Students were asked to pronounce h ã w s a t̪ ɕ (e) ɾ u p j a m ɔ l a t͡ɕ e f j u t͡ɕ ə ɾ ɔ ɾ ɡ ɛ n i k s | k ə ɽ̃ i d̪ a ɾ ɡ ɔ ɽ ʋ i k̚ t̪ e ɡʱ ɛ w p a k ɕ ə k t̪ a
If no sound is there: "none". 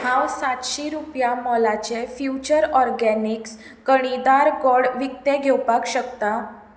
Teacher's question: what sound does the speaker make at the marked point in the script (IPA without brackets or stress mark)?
i